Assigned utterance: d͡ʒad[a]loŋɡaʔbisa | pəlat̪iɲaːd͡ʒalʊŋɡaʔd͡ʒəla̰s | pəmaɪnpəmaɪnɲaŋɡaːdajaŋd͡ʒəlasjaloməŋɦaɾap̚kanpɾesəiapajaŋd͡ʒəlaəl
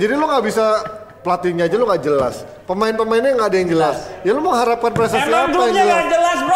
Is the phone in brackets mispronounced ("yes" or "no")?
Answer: yes